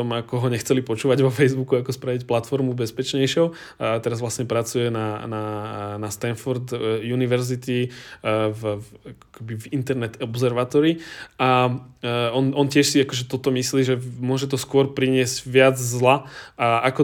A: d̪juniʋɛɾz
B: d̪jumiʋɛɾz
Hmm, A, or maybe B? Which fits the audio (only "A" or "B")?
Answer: A